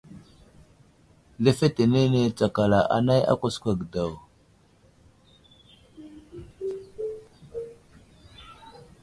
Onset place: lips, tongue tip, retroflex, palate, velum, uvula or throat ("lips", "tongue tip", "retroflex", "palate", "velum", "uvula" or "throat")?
tongue tip